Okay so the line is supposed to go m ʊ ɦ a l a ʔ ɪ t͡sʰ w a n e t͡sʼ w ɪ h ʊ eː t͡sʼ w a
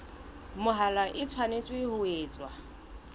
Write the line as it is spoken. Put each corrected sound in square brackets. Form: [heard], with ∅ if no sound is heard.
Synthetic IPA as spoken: m ʊ ɦ a l a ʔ ɪ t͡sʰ w a n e t͡sʼ w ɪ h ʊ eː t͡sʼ w a